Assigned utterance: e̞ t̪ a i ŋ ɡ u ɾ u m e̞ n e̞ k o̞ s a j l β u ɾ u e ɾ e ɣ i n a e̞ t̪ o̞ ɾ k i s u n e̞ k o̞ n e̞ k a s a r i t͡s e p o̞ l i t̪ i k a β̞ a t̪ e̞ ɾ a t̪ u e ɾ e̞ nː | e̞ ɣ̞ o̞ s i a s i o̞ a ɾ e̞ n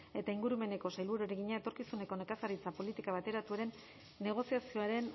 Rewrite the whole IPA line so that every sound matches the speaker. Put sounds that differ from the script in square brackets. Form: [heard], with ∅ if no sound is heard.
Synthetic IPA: e̞ t̪ a i ŋ ɡ u ɾ u m e̞ n e̞ k o̞ s a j l β u ɾ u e ɾ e ɣ i [ɲ] a e̞ t̪ o̞ ɾ k i s u n e̞ k o̞ n e̞ k a s a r i t͡s [a] p o̞ l i t̪ i k a β̞ a t̪ e̞ ɾ a t̪ u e ɾ e̞ nː | e̞ ɣ̞ o̞ s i a s i o̞ a ɾ e̞ n

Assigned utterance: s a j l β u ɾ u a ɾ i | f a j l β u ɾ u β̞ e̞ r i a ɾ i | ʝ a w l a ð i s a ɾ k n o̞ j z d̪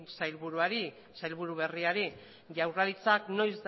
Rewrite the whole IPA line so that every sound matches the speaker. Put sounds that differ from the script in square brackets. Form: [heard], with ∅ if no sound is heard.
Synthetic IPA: s a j l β u ɾ u a ɾ i | [s] a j l β u ɾ u β̞ e̞ r i a ɾ i | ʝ a w [r] a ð i [t͡s] a [∅] k n o̞ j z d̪

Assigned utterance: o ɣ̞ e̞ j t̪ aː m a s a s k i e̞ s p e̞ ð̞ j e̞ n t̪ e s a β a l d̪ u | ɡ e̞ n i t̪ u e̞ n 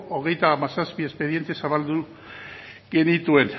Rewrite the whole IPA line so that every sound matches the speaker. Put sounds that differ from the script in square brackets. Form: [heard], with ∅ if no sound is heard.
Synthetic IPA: o ɣ̞ e̞ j t̪ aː m a s a s [p] i e̞ s p e̞ ð̞ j e̞ n t̪ e s a β a l d̪ u | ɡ e̞ n i t̪ u e̞ n

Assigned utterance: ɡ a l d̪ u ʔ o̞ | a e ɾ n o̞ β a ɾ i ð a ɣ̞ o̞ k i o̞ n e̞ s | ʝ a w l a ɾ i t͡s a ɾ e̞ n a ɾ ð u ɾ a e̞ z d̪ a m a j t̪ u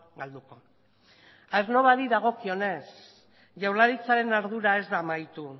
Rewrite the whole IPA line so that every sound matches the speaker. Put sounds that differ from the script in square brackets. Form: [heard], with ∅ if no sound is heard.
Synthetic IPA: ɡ a l d̪ u [k] o̞ | a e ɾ n o̞ β a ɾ i ð a ɣ̞ o̞ k i o̞ n e̞ s | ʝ a w l a ɾ i t͡s a ɾ e̞ n a ɾ ð u ɾ a e̞ z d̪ a m a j t̪ u

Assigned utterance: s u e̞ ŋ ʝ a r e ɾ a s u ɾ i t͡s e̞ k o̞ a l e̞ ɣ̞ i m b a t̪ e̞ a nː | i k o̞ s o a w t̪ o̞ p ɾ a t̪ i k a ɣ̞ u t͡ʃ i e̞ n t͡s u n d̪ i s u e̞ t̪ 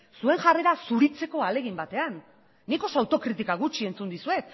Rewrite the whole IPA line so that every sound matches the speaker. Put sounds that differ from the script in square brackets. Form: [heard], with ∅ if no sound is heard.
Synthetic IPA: s u e̞ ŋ ʝ a r e ɾ a s u ɾ i t͡s e̞ k o̞ a l e̞ ɣ̞ i m b a t̪ e̞ a nː | i k o̞ s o a w t̪ o̞ [k] ɾ [i] t̪ i k a ɣ̞ u t͡ʃ i e̞ n t͡s u n d̪ i s u e̞ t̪

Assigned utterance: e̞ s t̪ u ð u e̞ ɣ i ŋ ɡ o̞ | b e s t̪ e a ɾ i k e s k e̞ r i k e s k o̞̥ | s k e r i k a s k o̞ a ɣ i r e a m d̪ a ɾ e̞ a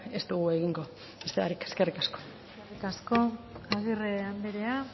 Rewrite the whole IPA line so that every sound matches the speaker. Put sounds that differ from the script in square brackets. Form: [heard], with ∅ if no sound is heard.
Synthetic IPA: e̞ s t̪ u [ɣ] u e̞ ɣ i ŋ ɡ o̞ | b e s t̪ e a ɾ i k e s k e̞ r i k [a] s k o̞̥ | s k e r i k a s k o̞ a ɣ i r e a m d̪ [e] ɾ e̞ a

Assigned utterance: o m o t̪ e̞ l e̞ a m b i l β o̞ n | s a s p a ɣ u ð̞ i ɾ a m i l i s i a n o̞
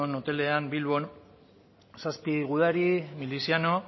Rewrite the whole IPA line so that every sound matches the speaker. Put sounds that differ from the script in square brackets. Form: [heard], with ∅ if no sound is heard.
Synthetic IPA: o [n] o t̪ e̞ l e̞ a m b i l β o̞ n | s a s p [i] ɣ u ð̞ [a] ɾ [i] m i l i s i a n o̞

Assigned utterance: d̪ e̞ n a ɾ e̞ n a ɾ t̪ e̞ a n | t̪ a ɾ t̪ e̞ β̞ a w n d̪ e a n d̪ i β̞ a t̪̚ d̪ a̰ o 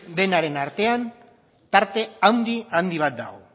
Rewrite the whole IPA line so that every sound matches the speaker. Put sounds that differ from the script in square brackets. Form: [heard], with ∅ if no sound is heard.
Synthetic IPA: d̪ e̞ n a ɾ e̞ n a ɾ t̪ e̞ a n | t̪ a ɾ t̪ e̞ [∅] a w n d̪ [i] a n d̪ i β̞ a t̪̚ d̪ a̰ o

